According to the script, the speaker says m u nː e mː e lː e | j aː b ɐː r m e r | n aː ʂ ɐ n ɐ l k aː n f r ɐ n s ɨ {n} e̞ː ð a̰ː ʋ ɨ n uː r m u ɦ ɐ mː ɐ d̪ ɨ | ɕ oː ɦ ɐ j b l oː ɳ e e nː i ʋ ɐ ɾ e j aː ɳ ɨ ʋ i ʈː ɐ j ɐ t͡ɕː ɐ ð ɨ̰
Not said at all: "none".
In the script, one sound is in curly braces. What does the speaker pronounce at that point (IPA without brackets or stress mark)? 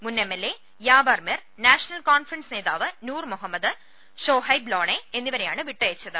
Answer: n